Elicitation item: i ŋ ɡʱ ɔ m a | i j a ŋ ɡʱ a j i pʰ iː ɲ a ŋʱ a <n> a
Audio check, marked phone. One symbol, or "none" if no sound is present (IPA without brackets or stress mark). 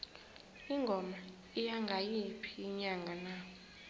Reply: n